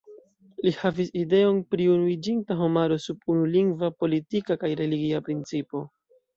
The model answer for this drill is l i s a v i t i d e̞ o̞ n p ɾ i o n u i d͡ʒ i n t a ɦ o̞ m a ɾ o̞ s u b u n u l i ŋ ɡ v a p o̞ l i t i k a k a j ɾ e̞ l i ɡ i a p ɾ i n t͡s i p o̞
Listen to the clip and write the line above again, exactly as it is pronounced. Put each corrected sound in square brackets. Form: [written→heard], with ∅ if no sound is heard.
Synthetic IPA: l i [s→h] a v i [t→s] i d e̞ o̞ n p ɾ i [o→u] n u i d͡ʒ i n t a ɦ o̞ m a ɾ o̞ s u b u n u l i ŋ ɡ v a p o̞ l i t i k a k a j ɾ e̞ l i ɡ i a p ɾ i n t͡s i p o̞